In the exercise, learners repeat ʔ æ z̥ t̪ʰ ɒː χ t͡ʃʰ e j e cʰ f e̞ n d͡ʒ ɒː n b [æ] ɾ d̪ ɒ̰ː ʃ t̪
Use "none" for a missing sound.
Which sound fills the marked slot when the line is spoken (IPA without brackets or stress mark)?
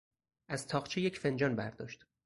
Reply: æ